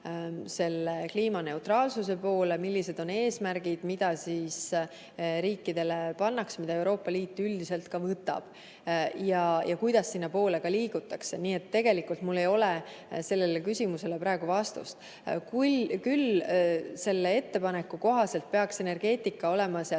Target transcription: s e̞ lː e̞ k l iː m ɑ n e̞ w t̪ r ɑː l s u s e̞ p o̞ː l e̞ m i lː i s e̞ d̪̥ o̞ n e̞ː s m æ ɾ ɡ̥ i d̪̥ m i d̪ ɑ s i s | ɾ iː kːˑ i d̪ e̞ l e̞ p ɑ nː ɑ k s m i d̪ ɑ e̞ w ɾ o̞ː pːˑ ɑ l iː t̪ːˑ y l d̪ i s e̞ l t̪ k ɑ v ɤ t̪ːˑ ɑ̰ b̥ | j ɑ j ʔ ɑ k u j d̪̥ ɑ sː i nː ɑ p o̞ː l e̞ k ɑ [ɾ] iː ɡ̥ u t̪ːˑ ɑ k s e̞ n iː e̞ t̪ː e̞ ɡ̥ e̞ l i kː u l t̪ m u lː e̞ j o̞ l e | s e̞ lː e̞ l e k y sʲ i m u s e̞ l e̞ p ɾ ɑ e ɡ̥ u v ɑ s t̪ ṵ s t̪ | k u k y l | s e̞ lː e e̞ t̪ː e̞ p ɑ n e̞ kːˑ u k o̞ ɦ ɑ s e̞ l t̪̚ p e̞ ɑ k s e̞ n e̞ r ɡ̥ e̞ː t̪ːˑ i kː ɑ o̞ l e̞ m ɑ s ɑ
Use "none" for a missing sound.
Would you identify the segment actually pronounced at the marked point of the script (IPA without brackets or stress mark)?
l